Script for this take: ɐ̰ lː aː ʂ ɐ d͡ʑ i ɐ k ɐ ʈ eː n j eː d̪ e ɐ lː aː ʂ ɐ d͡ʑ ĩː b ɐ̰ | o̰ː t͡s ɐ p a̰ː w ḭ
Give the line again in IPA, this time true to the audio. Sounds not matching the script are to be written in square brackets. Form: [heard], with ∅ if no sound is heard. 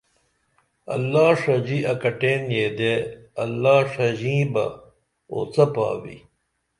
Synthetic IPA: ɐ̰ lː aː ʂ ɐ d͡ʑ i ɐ k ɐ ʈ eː n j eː d̪ e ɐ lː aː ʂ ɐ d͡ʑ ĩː b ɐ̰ | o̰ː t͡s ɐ p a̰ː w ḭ